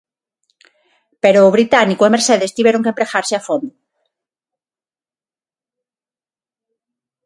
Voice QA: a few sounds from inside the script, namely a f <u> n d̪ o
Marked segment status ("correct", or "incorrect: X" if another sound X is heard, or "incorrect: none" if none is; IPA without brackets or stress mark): incorrect: o